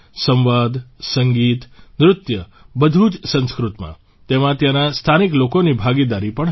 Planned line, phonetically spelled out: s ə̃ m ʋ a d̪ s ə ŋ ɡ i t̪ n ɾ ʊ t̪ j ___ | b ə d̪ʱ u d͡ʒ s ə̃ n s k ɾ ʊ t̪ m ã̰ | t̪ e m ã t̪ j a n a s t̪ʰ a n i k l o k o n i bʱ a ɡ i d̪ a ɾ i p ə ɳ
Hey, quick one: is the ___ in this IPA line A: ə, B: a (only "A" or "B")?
A